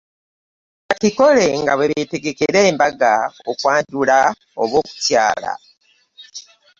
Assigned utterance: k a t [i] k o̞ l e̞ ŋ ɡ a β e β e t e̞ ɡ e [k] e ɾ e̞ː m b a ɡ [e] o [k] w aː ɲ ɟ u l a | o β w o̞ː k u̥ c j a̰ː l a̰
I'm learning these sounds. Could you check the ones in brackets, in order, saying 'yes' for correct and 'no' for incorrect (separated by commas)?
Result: yes, yes, no, yes